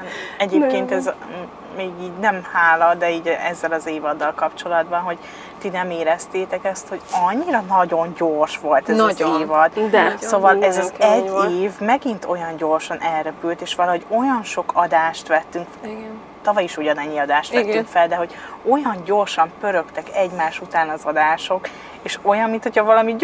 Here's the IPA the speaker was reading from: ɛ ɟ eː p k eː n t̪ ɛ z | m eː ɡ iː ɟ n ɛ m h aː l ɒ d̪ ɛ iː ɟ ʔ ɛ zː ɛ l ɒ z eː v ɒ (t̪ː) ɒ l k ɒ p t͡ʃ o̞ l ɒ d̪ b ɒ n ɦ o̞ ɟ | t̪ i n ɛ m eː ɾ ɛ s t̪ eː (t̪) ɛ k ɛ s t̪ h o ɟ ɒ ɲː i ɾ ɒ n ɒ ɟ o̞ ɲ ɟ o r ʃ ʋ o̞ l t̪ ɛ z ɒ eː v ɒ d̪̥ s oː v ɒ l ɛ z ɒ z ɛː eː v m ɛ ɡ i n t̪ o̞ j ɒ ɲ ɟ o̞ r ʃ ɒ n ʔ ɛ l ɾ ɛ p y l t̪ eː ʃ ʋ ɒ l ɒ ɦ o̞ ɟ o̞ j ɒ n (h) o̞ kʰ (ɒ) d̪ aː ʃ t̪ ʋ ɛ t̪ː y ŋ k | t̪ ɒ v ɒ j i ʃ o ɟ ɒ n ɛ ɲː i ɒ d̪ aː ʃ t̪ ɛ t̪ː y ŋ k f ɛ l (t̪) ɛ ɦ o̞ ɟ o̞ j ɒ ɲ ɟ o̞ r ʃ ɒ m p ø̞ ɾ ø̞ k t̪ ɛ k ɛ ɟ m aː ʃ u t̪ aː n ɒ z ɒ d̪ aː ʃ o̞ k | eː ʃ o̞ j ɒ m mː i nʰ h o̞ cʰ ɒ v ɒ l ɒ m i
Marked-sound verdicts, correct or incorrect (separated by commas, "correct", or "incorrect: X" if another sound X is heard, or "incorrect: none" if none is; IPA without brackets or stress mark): incorrect: d̪ː, correct, incorrect: ʃ, correct, incorrect: d̪